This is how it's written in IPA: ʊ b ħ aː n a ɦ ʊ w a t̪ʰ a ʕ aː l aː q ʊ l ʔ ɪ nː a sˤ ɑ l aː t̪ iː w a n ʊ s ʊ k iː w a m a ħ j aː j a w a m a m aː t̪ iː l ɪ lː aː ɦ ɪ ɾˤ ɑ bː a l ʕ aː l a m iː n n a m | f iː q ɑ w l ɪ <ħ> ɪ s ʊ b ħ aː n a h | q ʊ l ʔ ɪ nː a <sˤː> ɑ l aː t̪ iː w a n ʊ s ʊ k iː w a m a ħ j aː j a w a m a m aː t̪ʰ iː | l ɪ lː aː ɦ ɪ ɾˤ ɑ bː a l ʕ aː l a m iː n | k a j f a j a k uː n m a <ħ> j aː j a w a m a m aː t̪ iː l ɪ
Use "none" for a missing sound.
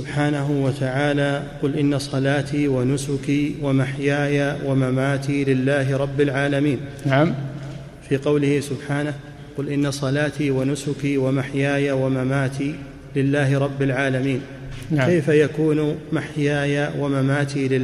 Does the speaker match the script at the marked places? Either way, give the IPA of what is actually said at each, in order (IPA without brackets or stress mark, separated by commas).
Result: h, sˤ, ħ